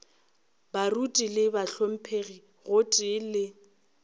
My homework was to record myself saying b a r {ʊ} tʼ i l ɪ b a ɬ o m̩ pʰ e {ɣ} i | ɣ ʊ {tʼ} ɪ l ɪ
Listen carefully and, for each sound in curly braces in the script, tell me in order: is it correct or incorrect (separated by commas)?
incorrect, correct, correct